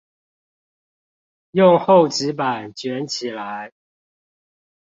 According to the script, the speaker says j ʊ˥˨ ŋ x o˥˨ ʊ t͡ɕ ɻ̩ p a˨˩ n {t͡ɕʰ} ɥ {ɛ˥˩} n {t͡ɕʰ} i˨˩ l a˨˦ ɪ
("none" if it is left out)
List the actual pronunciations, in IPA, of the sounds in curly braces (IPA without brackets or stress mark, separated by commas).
t͡ɕ, ɛ˨˦, t͡ɕʰ